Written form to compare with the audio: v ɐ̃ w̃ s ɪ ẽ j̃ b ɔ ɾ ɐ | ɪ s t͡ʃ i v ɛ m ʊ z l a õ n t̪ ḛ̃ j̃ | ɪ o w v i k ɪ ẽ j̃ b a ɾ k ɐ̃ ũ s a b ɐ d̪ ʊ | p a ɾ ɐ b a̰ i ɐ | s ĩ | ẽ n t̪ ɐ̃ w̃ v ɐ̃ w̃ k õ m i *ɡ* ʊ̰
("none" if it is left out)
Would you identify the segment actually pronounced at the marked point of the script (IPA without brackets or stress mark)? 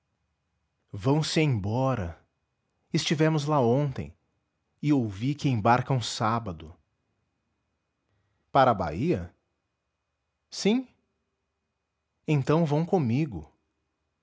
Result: ɡ